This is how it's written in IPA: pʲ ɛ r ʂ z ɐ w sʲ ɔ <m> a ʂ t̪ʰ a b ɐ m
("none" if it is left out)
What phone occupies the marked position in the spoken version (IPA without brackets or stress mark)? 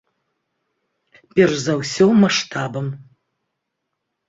m